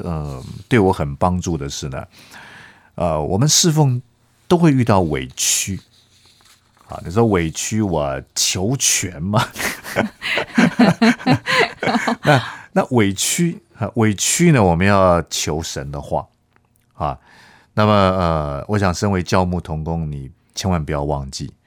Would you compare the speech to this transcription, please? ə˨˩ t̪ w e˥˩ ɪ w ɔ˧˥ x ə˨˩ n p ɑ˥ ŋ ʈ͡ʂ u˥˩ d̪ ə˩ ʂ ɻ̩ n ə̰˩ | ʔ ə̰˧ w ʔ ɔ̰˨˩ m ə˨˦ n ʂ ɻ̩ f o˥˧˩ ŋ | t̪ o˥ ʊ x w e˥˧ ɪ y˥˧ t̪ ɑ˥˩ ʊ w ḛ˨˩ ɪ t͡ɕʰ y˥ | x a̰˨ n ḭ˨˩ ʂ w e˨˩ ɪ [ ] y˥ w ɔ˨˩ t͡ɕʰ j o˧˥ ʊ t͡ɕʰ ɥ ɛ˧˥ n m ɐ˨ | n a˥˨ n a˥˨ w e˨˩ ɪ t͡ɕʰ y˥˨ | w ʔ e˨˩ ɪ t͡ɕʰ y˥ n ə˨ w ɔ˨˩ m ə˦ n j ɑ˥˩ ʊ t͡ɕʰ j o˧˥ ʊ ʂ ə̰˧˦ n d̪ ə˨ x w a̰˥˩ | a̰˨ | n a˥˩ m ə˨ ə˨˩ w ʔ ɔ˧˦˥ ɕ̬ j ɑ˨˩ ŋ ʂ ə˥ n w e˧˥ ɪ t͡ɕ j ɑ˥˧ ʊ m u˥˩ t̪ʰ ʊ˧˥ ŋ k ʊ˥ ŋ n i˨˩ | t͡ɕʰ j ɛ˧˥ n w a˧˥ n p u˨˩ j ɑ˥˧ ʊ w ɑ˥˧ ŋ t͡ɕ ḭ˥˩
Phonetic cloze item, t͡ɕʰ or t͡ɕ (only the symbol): t͡ɕʰ